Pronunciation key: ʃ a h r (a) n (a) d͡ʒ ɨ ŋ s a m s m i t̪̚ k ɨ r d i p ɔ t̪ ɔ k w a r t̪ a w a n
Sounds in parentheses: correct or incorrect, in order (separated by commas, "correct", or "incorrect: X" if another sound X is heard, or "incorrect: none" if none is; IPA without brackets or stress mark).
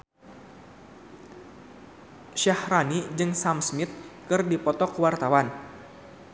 correct, incorrect: i